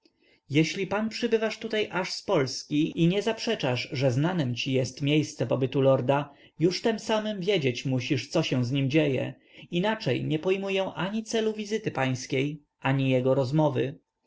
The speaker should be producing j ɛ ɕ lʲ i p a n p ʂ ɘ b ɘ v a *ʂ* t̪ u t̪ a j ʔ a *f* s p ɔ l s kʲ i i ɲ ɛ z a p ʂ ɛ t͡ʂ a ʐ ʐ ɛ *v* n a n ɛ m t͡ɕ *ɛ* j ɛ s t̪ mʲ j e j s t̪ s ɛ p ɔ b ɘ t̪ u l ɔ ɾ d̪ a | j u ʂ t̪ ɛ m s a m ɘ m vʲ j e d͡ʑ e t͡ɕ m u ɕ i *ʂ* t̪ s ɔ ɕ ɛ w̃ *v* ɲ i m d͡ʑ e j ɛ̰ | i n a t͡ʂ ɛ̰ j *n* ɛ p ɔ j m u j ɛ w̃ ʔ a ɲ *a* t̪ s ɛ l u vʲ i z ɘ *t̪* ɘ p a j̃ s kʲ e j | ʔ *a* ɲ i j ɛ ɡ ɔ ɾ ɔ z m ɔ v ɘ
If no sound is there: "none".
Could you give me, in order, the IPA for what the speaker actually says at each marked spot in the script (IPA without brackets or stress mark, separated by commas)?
ʂ, ʂ, z, i, ʂ, z, ɲ, i, t̪, a